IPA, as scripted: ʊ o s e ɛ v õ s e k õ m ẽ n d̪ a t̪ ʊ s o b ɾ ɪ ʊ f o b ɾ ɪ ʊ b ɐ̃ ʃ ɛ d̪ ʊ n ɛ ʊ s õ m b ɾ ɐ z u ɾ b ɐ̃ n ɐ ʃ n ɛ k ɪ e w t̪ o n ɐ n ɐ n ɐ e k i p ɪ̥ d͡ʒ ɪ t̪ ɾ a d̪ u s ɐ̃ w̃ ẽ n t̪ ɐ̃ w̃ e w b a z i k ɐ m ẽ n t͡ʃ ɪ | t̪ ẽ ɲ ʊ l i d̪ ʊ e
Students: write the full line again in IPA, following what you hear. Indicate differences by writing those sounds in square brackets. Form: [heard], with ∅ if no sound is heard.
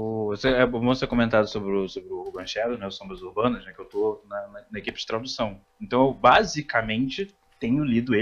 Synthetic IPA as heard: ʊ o s e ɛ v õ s e k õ m ẽ n [t̪] a [d̪] ʊ s o b ɾ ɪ ʊ [s] o b ɾ ɪ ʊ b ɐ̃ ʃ ɛ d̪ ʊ n ɛ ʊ s õ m b ɾ ɐ z u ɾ b ɐ̃ n ɐ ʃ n ɛ k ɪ e w t̪ o n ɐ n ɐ n ɐ e k i p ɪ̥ d͡ʒ ɪ t̪ ɾ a d̪ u s ɐ̃ w̃ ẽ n t̪ ɐ̃ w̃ e w b a z i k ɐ m ẽ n t͡ʃ ɪ | t̪ ẽ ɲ ʊ l i d̪ ʊ e